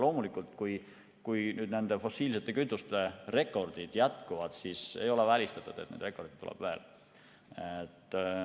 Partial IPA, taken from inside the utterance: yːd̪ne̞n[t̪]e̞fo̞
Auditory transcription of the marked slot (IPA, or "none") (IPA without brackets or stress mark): d̪